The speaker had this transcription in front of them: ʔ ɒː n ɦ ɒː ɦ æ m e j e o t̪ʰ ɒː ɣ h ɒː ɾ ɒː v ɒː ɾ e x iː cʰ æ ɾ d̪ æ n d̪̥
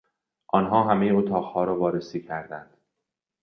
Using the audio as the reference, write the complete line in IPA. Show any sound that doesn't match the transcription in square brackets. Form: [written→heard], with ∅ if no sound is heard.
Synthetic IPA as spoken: ʔ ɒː n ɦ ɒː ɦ æ m e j e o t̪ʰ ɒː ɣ h ɒː ɾ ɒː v ɒː ɾ e [x→s] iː cʰ æ ɾ d̪ æ n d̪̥

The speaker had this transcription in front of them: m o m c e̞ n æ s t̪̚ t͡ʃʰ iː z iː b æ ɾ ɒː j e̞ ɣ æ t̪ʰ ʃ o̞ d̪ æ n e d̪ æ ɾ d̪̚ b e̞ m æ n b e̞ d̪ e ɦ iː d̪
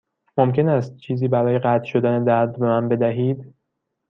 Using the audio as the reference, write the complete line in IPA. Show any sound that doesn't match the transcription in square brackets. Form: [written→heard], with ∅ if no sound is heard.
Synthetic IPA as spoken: m o m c e̞ n æ s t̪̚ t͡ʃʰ iː z iː b æ ɾ ɒː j e̞ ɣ æ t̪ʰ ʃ o̞ d̪ æ n e d̪ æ ɾ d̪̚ b e̞ m æ n b e̞ d̪ [e→æ] ɦ iː d̪

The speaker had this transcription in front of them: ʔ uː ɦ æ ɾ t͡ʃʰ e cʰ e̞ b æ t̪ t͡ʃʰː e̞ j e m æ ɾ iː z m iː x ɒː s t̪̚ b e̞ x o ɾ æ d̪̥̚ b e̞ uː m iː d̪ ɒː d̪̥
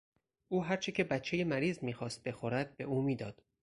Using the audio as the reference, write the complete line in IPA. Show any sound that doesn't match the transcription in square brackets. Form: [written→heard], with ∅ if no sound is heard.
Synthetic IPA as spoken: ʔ uː ɦ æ ɾ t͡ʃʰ e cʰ e̞ b æ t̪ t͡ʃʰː e̞ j e m æ ɾ iː z m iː x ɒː s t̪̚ b e̞ x o ɾ æ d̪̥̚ b e̞ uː m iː d̪ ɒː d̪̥

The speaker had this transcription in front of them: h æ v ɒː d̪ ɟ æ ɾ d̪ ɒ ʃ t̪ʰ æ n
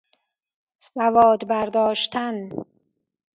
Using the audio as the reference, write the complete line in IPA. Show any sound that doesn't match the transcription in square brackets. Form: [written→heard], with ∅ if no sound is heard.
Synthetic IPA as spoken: [h→s] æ v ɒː d̪ [ɟ→b] æ ɾ d̪ [ɒ→ɒː] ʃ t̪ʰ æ n

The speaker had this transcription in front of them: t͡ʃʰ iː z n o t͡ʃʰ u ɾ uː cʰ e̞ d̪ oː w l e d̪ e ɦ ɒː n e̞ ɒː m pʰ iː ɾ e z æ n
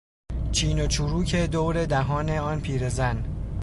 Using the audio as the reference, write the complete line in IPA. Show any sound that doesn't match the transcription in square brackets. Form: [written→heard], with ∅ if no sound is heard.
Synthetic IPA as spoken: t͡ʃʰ iː [z→∅] n o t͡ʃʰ u ɾ uː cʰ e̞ d̪ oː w [l→ɾ] e d̪ [e→æ] ɦ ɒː n e̞ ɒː [m→n] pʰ iː ɾ e z æ n

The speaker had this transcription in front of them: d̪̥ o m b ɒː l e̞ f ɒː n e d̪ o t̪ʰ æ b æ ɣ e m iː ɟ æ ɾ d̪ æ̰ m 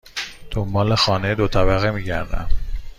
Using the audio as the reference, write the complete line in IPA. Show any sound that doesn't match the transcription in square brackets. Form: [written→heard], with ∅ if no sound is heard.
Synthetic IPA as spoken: d̪̥ o m b ɒː l e̞ [f→x] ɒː n e d̪ o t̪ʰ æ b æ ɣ e m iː ɟ æ ɾ d̪ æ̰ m

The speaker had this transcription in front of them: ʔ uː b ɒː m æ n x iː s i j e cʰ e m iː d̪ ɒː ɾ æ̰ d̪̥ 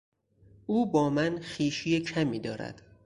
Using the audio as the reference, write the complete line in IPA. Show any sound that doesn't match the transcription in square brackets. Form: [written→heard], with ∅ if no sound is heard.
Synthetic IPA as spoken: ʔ uː b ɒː m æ n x iː [s→ʃ] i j e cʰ [e→æ] m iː d̪ ɒː ɾ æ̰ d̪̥

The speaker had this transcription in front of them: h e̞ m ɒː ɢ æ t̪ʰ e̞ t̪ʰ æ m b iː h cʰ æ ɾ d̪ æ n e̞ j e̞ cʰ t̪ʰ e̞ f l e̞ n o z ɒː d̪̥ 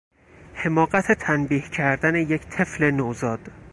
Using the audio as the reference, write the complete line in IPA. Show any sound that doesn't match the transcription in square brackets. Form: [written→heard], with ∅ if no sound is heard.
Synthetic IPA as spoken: h e̞ m ɒː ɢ æ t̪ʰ e̞ t̪ʰ æ [m→n] b iː h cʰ æ ɾ d̪ æ n e̞ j e̞ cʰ t̪ʰ e̞ f l e̞ n o z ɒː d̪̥

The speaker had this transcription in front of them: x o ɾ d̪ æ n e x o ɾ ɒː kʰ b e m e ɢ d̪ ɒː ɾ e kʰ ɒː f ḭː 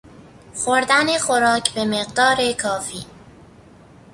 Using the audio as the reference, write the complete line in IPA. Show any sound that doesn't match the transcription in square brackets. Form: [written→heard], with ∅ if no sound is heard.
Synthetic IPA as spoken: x o ɾ d̪ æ n e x o ɾ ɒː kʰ b e m e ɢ d̪ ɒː ɾ e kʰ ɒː f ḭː

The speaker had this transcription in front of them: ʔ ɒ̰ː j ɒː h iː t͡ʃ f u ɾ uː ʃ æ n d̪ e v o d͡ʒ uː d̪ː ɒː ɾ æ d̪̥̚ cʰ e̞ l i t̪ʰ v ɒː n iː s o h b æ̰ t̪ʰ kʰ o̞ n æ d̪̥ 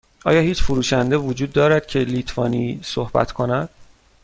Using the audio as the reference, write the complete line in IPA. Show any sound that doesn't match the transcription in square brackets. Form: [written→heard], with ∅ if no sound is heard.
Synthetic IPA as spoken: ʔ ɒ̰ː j ɒː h iː t͡ʃ f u ɾ uː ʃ æ n d̪ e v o d͡ʒ uː d̪ː ɒː ɾ æ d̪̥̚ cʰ e̞ l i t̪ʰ v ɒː n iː s o h b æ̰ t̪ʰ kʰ o̞ n æ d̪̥

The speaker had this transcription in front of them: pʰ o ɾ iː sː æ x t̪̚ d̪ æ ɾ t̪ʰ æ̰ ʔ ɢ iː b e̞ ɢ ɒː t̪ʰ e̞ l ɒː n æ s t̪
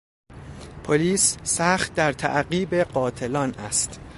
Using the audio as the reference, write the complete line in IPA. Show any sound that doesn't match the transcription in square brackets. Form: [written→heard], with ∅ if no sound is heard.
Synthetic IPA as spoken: pʰ o [ɾ→l] iː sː æ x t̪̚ d̪ æ ɾ t̪ʰ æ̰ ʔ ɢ iː b e̞ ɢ ɒː t̪ʰ e̞ l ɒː n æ s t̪

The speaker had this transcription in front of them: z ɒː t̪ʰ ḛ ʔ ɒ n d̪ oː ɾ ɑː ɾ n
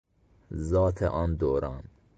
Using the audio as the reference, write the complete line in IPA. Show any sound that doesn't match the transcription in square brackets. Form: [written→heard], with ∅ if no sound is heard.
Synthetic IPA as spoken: z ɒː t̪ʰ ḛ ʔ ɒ n d̪ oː ɾ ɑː [ɾ→∅] n

